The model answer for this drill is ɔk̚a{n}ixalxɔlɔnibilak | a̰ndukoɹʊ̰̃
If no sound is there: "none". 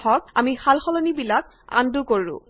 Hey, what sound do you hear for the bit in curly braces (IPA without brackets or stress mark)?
m